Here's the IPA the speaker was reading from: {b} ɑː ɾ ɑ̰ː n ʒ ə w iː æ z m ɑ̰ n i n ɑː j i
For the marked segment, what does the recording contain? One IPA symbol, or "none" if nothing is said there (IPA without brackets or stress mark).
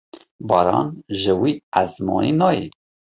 b